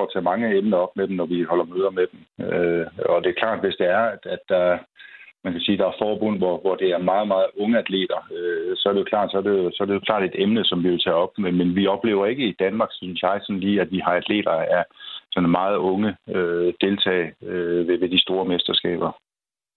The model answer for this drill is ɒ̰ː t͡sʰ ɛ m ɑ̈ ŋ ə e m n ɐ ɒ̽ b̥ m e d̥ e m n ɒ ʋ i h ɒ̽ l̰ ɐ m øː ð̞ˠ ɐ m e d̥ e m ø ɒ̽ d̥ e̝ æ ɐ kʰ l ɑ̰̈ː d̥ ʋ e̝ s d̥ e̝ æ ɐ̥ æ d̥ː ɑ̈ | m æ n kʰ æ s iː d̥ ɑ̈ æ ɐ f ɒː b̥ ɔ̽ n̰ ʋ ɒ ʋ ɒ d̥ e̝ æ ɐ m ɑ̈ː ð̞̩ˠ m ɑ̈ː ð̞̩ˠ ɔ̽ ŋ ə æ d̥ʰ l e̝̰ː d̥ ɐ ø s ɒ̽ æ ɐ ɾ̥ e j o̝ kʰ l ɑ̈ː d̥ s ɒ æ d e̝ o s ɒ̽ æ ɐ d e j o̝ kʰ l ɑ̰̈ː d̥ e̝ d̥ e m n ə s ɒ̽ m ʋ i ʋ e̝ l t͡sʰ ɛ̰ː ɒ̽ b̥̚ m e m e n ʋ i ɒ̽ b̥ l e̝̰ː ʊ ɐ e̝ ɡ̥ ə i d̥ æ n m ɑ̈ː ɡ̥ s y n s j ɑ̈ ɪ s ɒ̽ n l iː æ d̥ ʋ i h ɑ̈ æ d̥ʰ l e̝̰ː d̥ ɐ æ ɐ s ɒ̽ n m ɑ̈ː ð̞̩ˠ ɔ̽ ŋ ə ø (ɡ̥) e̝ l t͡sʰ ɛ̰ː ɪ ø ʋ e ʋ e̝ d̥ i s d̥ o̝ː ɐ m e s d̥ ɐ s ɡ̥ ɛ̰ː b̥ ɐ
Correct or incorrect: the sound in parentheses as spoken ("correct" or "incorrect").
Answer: incorrect